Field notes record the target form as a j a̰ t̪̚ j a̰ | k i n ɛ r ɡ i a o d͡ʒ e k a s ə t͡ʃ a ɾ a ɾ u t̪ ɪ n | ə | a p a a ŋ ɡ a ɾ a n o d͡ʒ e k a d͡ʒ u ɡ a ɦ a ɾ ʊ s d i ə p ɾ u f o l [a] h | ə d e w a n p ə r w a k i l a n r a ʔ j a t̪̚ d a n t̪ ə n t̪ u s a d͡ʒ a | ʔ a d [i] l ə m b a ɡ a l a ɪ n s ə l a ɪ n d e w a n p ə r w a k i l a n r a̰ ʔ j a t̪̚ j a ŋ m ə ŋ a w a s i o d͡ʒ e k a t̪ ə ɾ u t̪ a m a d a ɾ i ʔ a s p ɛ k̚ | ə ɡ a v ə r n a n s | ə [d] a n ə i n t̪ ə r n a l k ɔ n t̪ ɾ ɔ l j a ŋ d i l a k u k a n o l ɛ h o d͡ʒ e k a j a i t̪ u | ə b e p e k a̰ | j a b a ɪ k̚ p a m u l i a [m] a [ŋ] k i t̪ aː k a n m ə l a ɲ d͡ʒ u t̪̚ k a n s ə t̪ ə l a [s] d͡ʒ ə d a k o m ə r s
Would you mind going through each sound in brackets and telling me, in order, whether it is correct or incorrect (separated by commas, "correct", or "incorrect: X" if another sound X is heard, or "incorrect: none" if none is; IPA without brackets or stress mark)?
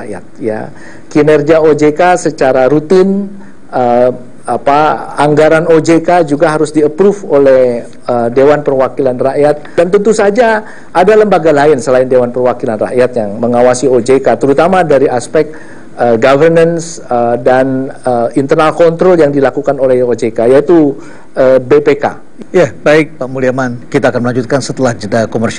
incorrect: ɛ, incorrect: a, correct, correct, incorrect: n, incorrect: h